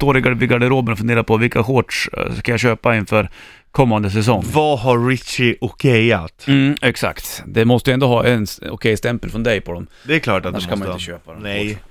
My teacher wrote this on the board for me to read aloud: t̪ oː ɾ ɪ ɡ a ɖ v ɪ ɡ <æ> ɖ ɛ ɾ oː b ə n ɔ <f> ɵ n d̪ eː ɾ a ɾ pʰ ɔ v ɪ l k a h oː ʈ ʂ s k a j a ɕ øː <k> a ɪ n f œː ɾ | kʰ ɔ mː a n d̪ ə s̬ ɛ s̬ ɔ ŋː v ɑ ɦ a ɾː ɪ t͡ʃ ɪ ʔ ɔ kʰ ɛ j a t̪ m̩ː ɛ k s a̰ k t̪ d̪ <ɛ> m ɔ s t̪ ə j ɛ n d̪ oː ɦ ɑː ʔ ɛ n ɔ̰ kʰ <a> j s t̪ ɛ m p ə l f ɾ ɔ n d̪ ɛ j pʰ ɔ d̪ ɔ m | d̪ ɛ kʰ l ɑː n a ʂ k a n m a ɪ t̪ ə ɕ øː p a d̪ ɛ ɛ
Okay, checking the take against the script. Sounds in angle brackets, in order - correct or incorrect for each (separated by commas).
incorrect, correct, incorrect, correct, incorrect